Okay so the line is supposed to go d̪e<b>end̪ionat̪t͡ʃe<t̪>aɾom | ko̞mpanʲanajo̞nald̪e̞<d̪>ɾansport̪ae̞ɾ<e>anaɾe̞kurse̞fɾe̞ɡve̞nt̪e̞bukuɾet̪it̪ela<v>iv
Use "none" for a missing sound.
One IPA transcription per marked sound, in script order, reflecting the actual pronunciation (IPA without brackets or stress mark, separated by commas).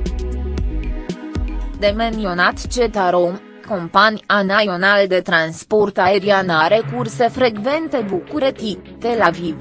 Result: m, t̪, t̪, i, v